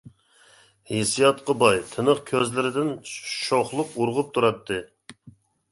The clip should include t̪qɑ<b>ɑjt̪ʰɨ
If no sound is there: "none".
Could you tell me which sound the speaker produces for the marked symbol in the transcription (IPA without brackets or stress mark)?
b